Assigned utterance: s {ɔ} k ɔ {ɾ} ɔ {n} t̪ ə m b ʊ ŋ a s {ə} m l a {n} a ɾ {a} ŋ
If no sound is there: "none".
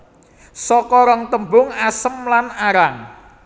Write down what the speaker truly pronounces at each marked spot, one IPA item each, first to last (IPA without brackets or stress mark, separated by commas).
ɔ, ɾ, ŋ, ə, n, a